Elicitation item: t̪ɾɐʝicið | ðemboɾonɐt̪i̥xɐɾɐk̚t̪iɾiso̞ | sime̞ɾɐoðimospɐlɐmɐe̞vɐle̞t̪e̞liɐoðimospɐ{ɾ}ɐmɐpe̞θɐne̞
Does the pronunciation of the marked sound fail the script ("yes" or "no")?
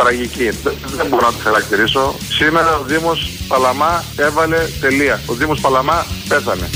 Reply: yes